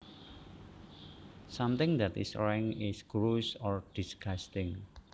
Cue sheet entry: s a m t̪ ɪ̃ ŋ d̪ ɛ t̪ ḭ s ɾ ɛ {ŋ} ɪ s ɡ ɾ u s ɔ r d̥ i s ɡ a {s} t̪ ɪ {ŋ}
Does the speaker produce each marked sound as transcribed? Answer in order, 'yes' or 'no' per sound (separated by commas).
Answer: yes, yes, yes